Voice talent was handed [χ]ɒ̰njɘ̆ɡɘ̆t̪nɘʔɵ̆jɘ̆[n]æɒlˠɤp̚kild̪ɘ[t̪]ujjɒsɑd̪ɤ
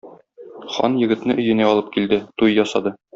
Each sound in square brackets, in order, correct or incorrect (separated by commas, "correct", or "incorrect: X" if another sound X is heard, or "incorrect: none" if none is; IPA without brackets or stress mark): correct, correct, correct